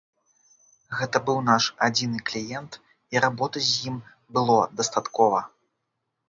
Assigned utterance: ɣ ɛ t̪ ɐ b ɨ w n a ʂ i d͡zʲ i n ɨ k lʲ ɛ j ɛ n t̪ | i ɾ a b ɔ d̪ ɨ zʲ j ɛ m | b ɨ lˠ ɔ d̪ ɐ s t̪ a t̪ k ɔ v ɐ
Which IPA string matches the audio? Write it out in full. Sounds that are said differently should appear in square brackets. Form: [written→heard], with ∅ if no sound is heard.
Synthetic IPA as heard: ɣ ɛ t̪ ɐ b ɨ w n a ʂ [i→a] d͡zʲ i n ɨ k lʲ [ɛ→i] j ɛ n t̪ | i ɾ a b ɔ [d̪→t̪] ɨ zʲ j [ɛ→i] m | b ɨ lˠ ɔ d̪ ɐ s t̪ a t̪ k ɔ v ɐ